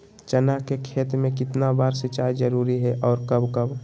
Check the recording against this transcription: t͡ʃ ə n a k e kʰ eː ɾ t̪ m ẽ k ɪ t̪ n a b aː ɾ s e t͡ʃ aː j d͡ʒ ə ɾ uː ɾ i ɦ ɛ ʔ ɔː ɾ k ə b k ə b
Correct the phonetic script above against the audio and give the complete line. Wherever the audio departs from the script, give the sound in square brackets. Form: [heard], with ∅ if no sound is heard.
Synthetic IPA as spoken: t͡ʃ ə n a k e kʰ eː [∅] t̪ m ẽ k ɪ t̪ n a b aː ɾ s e t͡ʃ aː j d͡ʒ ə ɾ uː ɾ i ɦ ɛ ʔ ɔː ɾ k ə b k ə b